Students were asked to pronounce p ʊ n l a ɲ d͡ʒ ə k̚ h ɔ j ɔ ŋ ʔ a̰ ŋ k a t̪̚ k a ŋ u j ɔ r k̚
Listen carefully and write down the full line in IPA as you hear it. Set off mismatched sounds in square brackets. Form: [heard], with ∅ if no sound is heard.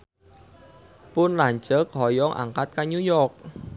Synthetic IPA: p ʊ n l a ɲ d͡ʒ ə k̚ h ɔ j ɔ ŋ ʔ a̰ ŋ k a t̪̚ k a [ɲ] u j ɔ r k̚